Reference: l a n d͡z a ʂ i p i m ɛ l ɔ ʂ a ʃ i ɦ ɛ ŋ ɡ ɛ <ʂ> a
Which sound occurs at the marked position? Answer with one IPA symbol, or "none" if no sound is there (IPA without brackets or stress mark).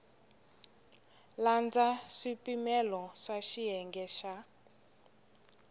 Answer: ʃ